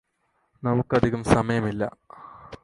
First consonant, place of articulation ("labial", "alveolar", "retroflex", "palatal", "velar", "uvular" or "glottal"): alveolar